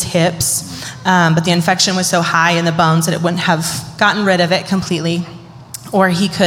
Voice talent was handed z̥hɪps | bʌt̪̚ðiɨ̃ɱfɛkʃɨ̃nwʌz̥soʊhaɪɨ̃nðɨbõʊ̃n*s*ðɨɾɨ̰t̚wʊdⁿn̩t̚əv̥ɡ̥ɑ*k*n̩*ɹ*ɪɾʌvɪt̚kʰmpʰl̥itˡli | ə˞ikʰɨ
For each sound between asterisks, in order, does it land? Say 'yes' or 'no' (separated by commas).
no, no, yes